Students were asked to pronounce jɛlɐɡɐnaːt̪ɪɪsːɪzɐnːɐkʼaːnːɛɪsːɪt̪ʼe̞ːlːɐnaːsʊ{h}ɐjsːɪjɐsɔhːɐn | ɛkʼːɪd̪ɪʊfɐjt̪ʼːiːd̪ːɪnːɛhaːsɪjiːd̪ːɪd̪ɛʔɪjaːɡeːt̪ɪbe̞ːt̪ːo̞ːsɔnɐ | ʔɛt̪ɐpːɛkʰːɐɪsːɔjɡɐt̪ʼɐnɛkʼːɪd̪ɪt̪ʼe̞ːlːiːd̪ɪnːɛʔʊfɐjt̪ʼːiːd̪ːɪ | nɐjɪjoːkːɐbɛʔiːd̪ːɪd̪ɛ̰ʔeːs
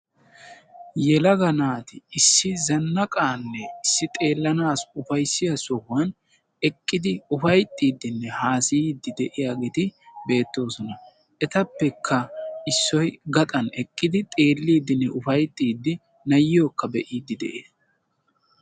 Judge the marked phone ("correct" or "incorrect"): incorrect